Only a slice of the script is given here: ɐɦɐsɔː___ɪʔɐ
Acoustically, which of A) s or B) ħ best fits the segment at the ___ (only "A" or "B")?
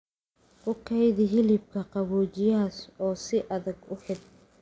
A